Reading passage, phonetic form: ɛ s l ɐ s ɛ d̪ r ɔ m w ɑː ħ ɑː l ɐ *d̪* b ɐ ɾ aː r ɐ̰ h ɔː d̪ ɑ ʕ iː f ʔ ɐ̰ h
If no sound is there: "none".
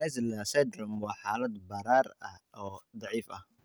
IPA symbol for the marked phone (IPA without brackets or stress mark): d̪